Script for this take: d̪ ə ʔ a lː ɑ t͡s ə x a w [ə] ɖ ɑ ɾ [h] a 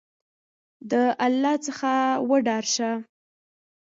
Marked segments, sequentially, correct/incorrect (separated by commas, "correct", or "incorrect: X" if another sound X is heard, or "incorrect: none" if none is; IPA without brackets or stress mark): correct, incorrect: ʃ